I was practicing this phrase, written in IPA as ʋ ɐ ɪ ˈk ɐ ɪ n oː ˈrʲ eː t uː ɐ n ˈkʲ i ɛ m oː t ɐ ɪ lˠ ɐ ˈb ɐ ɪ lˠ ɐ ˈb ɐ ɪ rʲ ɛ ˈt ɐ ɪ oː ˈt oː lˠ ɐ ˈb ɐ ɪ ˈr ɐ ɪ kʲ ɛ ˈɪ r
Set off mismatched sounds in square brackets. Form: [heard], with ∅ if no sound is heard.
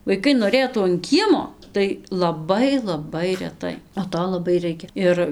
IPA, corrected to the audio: ʋ ɐ ɪ ˈk ɐ ɪ n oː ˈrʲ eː t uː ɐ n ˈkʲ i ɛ m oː t ɐ ɪ lˠ ɐ ˈb ɐ ɪ lˠ ɐ ˈb ɐ ɪ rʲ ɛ ˈt ɐ ɪ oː ˈt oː lˠ ɐ ˈb ɐ ɪ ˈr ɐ ɪ kʲ ɛ ˈɪ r